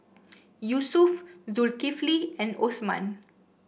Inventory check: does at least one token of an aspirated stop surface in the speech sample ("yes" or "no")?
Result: no